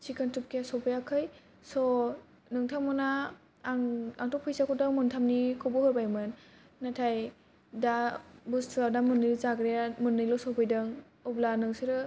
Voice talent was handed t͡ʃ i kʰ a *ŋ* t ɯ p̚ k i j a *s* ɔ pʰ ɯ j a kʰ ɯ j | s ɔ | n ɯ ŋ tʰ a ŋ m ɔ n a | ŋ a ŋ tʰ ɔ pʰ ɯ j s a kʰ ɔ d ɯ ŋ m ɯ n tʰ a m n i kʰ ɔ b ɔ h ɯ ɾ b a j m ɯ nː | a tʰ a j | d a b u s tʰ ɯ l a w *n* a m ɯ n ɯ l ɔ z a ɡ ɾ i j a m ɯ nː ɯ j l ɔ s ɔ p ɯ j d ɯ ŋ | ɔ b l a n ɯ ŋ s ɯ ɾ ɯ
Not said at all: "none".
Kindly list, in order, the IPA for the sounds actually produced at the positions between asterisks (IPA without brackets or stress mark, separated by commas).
n, s, d